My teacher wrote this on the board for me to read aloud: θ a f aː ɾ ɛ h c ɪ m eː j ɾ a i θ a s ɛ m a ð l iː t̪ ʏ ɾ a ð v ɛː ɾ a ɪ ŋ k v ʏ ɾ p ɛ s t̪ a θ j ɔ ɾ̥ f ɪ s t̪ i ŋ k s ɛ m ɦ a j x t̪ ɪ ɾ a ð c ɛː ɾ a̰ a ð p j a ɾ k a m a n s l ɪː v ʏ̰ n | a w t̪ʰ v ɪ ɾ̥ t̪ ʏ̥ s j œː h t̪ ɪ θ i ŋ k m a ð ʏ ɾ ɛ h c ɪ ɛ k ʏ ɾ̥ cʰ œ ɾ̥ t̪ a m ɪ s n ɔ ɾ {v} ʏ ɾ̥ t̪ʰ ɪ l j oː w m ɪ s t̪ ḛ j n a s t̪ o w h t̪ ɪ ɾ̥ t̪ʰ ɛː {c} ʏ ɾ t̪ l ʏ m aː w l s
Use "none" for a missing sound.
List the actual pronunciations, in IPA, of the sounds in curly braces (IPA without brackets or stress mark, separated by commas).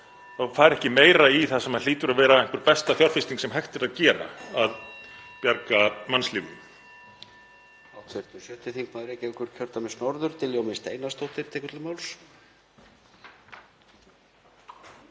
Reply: ð, k